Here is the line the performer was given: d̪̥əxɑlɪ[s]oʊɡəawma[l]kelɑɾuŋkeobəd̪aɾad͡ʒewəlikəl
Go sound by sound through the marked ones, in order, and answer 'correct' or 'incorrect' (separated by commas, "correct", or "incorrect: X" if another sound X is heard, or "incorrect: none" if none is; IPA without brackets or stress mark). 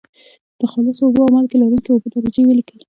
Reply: correct, correct